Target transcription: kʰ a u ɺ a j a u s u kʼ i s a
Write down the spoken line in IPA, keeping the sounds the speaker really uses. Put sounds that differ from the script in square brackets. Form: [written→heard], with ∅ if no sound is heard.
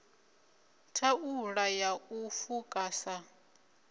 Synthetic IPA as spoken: [kʰ→tʰ] a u ɺ a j a u [s→f] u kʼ [i→a] s a